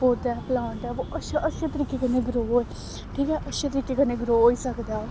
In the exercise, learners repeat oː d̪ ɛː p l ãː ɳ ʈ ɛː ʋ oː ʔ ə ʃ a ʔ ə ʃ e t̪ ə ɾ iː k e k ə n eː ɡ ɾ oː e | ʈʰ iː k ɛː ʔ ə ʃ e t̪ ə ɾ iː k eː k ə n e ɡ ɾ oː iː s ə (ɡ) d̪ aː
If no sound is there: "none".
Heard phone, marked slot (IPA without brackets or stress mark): k